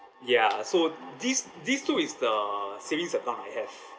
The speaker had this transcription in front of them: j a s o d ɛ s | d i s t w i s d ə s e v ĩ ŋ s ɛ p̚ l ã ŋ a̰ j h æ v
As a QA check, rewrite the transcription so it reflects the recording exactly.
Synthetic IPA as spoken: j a s o d i s | d i s t u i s d ə s e v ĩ ŋ s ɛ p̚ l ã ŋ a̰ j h ɛ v